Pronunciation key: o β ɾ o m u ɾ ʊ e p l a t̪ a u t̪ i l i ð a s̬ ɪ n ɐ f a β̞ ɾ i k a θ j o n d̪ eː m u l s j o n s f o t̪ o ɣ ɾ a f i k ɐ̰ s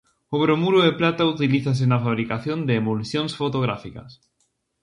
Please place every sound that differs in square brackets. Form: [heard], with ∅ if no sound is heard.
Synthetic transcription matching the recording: o β ɾ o m u ɾ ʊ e p l a t̪ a u t̪ i l i [θ] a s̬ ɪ n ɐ f a β̞ ɾ i k a θ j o n d̪ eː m u l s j o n s f o t̪ o ɣ ɾ a f i k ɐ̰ s